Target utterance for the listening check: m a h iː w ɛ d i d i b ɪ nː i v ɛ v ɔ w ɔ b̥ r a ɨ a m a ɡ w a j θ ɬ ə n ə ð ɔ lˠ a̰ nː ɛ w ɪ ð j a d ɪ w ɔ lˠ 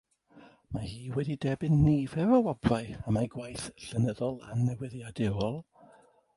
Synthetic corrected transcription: m a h iː w ɛ d i d ɛ b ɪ nː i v ɛ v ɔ w ɔ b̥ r a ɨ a m a ɡ w a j θ ɬ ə n ə ð ɔ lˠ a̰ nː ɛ w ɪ ð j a d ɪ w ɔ lˠ